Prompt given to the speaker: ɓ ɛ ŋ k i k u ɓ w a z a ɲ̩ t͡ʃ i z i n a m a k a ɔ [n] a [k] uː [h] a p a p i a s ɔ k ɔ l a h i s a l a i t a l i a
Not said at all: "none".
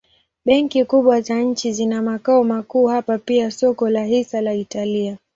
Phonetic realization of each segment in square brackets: m, k, h

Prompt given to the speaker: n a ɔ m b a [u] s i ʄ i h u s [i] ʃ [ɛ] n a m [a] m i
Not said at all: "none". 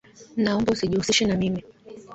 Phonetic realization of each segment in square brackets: u, i, ɛ, i

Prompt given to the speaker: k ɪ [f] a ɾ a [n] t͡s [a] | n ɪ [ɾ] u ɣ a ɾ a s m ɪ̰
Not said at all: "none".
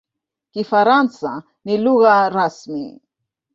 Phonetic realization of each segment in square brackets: f, n, a, l

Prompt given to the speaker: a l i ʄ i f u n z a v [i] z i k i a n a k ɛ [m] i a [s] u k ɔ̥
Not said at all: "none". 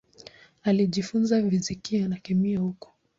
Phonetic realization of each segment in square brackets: i, m, h

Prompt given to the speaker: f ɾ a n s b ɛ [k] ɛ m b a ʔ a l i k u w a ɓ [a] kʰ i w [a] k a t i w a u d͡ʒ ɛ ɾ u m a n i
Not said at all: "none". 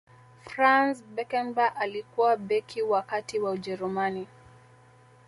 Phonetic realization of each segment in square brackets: k, ɛ, a

